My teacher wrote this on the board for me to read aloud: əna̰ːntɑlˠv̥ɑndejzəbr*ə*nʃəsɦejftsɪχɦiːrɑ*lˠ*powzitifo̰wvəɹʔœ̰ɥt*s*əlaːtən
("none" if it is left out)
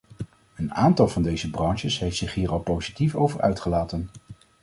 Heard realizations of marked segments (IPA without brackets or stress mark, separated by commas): ɑ, lˠ, χ